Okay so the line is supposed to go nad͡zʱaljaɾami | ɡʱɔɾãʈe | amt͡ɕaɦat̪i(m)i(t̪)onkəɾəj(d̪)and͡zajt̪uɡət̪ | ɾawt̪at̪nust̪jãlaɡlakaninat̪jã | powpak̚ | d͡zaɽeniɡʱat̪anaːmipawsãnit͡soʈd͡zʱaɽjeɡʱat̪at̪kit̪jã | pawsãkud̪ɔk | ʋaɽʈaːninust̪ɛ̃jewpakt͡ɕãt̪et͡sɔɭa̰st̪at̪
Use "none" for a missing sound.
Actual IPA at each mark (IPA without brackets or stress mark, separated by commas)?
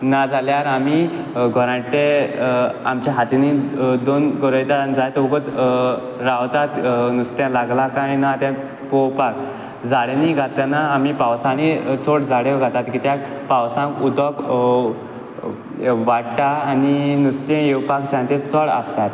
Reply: n, d̪, t̪